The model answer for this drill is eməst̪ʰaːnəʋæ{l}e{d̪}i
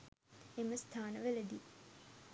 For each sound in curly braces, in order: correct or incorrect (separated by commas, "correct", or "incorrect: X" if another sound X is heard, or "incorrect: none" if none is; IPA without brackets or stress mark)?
correct, correct